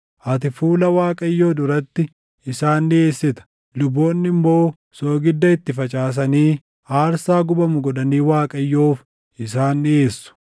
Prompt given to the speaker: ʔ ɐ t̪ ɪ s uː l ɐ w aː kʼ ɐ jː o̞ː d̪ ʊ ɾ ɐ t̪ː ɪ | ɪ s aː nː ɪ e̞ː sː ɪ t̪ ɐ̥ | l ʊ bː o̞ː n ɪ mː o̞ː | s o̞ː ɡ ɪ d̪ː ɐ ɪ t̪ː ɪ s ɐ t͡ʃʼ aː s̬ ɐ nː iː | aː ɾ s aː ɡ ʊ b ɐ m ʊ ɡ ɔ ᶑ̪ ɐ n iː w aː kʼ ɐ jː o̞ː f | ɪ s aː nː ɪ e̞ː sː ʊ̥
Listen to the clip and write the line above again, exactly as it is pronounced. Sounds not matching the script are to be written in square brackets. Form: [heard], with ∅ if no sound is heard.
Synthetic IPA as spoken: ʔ ɐ t̪ ɪ [f] uː l ɐ w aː kʼ ɐ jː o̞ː d̪ ʊ ɾ ɐ t̪ː ɪ | ɪ s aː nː ɪ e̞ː sː ɪ t̪ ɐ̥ | l ʊ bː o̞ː [nː] ɪ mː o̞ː | s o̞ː ɡ ɪ d̪ː ɐ ɪ t̪ː ɪ [f] ɐ t͡ʃʼ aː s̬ ɐ [n] iː | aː ɾ s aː ɡ ʊ b ɐ m ʊ ɡ ɔ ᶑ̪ ɐ n iː w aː kʼ ɐ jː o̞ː f | ɪ s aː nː ɪ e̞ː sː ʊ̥